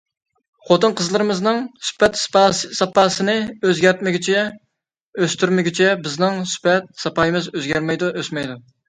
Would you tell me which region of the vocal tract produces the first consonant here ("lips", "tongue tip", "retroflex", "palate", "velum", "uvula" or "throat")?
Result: uvula